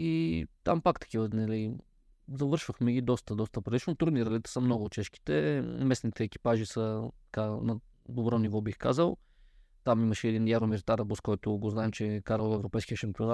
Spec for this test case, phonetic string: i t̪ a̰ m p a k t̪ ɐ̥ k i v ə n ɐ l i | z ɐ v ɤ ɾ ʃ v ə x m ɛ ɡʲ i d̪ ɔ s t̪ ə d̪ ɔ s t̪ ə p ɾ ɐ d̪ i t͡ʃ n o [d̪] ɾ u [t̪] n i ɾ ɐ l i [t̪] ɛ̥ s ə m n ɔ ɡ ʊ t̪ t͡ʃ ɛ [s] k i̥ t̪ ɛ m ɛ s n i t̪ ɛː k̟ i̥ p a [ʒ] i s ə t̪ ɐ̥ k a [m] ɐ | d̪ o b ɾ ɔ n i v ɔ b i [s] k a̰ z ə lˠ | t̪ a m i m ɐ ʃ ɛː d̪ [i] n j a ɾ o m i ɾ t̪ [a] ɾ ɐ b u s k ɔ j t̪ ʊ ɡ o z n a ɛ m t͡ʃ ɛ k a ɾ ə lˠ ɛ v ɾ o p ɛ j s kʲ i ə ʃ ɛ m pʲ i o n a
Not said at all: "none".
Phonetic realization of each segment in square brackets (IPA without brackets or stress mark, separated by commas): t̪, d̪, t̪, ʃ, ʒ, n, x, i, a